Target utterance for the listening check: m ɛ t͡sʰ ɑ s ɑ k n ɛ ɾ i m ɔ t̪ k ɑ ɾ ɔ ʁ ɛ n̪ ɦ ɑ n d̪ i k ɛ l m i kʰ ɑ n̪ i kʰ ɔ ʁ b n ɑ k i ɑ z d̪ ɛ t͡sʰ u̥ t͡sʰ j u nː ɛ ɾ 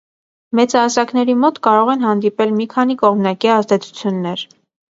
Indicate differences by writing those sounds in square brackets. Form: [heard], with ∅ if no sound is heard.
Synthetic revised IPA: m ɛ [t͡s] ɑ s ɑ k n ɛ ɾ i m ɔ t̪ k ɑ ɾ ɔ ʁ ɛ n̪ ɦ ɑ n d̪ i [p] ɛ l m i kʰ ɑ n̪ i [k] ɔ ʁ [m] n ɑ k i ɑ z d̪ ɛ t͡sʰ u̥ t͡sʰ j u nː ɛ ɾ